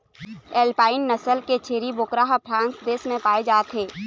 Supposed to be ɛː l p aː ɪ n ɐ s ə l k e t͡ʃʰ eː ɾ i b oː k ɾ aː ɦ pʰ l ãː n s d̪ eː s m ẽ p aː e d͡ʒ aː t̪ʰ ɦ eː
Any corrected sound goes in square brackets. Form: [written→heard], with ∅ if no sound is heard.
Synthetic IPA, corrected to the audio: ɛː l p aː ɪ [n→nː] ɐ s ə l k e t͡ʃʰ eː ɾ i b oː k ɾ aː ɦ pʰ [l→ɾ] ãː n s d̪ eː s m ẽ p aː e d͡ʒ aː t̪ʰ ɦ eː